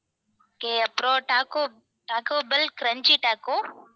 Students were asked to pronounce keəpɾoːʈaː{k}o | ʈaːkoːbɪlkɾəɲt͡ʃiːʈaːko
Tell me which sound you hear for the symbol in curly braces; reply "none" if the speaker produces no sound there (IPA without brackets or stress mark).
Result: k